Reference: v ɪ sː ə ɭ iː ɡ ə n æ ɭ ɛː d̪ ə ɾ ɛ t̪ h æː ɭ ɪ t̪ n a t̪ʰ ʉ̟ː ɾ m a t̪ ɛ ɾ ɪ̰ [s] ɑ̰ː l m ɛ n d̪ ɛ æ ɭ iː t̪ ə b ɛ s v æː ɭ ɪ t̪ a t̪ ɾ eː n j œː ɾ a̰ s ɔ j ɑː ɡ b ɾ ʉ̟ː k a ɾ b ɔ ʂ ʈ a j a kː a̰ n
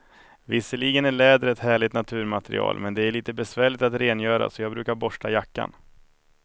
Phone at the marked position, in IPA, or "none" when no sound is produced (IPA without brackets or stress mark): none